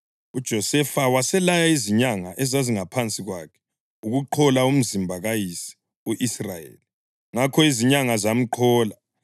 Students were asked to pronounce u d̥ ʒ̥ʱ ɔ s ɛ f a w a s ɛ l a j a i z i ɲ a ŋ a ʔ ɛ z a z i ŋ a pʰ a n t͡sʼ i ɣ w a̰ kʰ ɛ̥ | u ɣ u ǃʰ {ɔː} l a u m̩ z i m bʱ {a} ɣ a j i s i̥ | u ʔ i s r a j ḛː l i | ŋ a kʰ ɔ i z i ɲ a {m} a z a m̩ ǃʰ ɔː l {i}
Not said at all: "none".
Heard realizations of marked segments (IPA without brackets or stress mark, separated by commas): ɔ, a, ŋ, a